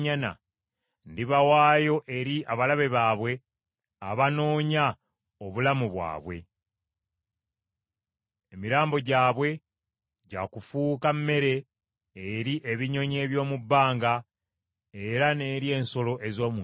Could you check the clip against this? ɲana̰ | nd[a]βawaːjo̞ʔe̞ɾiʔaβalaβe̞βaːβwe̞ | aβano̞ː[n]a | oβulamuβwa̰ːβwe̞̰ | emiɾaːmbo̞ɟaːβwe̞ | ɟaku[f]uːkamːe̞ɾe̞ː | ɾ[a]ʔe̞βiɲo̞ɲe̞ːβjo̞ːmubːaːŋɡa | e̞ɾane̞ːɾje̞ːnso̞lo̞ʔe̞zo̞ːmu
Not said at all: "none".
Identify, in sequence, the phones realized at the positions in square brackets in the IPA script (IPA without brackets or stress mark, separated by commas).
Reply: i, ɲ, f, i